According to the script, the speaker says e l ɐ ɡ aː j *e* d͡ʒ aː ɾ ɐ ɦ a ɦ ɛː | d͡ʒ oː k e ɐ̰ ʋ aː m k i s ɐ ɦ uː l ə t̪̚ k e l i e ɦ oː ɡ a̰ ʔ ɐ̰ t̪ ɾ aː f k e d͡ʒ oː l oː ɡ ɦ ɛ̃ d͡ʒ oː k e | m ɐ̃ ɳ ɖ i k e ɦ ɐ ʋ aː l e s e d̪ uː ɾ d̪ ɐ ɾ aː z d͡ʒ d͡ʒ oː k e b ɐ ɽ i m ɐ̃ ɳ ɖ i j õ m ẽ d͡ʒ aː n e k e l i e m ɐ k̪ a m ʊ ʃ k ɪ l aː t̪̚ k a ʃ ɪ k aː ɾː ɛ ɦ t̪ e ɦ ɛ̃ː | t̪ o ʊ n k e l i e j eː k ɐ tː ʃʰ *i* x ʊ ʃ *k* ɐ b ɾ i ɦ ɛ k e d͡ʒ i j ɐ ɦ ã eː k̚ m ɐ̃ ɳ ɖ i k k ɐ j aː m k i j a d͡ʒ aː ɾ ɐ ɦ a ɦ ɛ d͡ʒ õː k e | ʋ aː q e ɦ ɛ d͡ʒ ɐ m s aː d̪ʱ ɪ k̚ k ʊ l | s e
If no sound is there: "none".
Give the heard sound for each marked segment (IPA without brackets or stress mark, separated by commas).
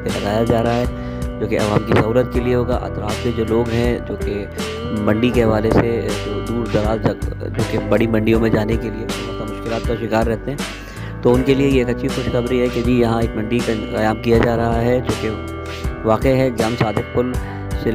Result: a, i, x